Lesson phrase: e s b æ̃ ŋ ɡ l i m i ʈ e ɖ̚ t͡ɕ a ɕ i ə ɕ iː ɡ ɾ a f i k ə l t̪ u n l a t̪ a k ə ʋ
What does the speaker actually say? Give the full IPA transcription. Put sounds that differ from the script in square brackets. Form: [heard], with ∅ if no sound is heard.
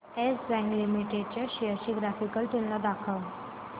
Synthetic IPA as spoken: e s b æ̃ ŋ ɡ l i m i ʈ e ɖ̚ t͡ɕ a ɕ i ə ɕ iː ɡ ɾ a f i k ə l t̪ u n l a [d̪] a [kʰ] ə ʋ